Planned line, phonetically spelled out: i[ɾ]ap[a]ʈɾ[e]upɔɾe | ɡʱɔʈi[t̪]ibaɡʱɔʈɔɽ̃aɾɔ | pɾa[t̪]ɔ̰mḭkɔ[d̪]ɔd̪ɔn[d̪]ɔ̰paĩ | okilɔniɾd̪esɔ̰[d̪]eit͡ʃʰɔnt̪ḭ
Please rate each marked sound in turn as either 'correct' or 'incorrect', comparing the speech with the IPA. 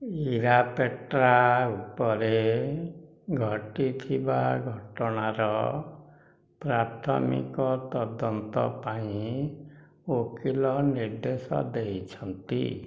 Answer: correct, incorrect, incorrect, incorrect, incorrect, incorrect, incorrect, correct

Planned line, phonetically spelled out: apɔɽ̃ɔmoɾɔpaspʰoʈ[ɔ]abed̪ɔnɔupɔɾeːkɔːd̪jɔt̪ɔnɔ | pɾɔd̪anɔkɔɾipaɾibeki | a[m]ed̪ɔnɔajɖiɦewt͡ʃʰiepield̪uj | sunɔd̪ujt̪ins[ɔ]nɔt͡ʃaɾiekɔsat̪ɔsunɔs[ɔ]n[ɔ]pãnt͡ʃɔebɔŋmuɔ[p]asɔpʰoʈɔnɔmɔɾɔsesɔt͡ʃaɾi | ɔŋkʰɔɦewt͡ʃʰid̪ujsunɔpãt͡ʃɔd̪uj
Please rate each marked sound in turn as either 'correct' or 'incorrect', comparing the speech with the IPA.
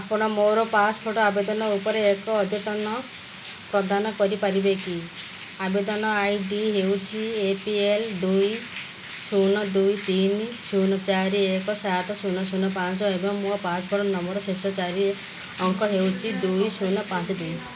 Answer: correct, incorrect, incorrect, incorrect, correct, correct

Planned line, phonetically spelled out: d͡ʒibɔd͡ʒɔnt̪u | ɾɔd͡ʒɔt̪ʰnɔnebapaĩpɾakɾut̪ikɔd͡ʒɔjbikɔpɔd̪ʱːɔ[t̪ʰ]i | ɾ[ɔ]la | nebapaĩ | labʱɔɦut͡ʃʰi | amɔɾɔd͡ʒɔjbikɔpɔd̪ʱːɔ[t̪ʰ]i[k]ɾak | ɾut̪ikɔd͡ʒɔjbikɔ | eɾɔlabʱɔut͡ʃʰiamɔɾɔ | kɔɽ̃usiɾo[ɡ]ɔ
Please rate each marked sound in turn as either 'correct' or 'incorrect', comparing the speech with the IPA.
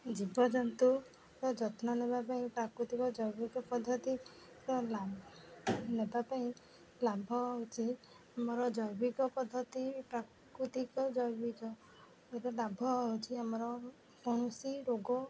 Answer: incorrect, correct, incorrect, incorrect, correct

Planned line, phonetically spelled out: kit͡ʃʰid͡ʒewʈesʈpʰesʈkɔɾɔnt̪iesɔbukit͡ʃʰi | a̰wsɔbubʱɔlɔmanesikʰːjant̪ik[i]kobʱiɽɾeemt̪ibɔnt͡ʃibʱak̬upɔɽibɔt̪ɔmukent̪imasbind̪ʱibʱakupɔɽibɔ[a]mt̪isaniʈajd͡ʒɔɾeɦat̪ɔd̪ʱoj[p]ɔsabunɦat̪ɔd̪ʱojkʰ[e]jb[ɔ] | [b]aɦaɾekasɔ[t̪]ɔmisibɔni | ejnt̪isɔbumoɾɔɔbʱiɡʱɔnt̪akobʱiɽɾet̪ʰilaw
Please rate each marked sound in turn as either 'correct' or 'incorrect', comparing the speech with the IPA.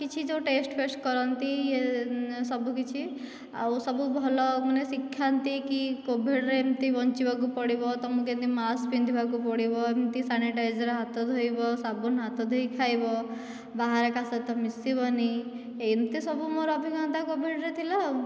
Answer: correct, incorrect, incorrect, incorrect, correct, correct, correct

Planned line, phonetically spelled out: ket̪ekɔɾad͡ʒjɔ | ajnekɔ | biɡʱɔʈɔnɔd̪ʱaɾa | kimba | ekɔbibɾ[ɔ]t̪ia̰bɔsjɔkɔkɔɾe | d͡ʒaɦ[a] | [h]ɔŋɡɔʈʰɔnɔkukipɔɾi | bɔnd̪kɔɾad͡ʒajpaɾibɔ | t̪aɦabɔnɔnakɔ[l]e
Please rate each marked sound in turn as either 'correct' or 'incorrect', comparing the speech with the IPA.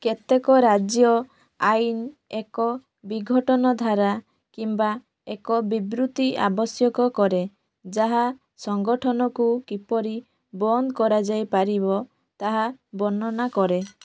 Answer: incorrect, correct, incorrect, incorrect

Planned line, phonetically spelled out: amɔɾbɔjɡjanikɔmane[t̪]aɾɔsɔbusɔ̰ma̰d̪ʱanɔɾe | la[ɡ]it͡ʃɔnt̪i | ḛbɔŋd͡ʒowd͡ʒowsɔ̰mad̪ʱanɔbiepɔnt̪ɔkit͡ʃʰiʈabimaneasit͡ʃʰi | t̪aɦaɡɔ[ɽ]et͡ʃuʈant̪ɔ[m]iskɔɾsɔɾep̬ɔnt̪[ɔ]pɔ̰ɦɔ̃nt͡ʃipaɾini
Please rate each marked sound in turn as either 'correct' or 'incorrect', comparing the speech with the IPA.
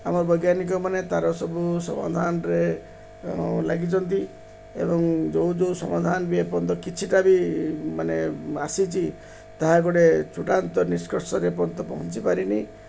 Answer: correct, correct, correct, incorrect, correct

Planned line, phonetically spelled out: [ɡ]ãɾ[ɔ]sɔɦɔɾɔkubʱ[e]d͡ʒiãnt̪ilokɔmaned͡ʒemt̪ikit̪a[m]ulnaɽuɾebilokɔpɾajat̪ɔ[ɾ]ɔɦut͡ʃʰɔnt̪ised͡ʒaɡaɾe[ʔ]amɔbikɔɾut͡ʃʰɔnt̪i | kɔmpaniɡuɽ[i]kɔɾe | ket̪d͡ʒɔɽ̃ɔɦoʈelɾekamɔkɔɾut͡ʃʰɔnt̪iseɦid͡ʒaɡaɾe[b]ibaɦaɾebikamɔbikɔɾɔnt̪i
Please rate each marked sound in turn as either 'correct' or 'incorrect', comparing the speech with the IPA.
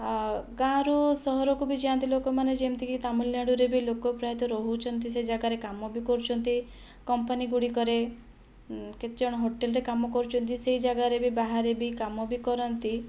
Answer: correct, incorrect, incorrect, correct, correct, incorrect, correct, correct

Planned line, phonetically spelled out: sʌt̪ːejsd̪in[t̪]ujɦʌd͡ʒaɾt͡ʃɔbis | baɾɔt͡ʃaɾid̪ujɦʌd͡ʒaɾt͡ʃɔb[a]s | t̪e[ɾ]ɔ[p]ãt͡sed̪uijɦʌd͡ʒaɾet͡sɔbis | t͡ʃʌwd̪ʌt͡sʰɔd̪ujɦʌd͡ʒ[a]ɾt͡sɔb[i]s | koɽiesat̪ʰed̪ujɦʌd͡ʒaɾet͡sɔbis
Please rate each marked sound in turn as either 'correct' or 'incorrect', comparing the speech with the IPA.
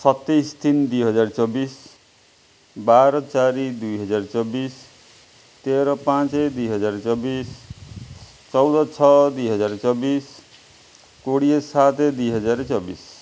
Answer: incorrect, incorrect, correct, correct, correct, correct

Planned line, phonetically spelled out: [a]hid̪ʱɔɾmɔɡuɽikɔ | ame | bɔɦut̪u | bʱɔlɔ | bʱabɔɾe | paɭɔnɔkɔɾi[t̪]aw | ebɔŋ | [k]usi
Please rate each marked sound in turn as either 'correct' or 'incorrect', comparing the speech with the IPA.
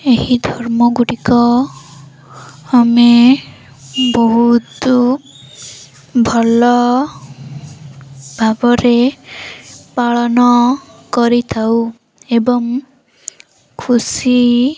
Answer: incorrect, incorrect, incorrect

